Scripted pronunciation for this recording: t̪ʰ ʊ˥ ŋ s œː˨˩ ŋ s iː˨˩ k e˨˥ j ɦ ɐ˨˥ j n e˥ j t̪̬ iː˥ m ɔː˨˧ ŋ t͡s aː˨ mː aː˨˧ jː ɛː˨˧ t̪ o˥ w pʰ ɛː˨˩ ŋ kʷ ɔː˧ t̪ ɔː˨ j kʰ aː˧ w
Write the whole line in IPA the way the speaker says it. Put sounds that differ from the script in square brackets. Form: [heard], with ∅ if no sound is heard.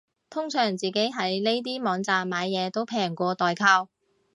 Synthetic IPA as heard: t̪ʰ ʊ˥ ŋ s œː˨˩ ŋ [t͡s] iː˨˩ k e˨˥ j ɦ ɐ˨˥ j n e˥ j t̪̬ iː˥ m ɔː˨˧ ŋ t͡s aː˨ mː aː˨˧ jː ɛː˨˧ t̪ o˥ w pʰ ɛː˨˩ ŋ kʷ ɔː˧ t̪ ɔː˨ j kʰ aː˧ w